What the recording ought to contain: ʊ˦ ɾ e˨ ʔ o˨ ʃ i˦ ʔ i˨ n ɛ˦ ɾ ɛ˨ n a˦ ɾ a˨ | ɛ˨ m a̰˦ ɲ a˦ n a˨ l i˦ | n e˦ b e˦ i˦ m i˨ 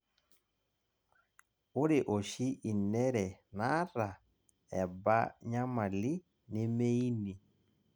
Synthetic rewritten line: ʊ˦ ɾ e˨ ʔ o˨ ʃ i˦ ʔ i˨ n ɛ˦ ɾ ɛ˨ n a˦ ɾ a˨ | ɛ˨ b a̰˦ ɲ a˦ m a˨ l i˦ | n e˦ m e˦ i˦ n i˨